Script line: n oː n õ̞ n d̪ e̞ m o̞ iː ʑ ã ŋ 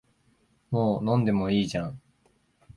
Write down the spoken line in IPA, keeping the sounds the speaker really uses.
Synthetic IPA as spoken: m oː n õ̞ n d̪ e̞ m o̞ iː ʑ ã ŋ